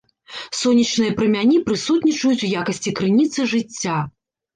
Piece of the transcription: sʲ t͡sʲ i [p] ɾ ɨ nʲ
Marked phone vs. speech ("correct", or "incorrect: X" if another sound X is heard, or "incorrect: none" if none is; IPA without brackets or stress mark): incorrect: k